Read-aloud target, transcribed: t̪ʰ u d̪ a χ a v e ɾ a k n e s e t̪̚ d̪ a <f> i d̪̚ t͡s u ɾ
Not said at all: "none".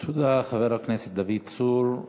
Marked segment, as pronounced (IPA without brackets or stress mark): v